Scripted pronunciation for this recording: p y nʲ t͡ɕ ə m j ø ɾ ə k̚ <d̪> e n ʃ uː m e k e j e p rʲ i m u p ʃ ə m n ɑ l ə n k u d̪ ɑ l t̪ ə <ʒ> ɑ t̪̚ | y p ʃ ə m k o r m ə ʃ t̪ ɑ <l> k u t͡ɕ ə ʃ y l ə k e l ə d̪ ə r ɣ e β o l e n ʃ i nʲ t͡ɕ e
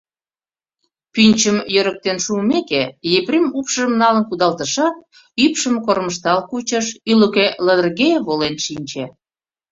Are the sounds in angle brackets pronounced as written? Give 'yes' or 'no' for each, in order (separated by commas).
no, no, yes